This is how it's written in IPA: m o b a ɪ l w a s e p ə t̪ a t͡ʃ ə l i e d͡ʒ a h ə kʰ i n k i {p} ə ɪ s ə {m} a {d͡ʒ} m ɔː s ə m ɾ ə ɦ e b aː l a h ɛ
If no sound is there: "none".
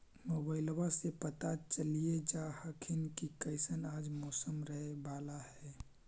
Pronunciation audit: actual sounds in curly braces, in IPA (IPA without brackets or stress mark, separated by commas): k, n, d͡ʒ